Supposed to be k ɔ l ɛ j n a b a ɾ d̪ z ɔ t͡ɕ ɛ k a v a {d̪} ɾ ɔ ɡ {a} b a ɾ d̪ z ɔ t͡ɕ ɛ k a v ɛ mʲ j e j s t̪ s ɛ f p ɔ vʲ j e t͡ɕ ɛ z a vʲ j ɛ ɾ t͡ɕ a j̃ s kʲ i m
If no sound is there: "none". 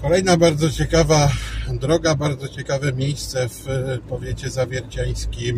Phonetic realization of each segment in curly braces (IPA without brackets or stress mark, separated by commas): d̪, a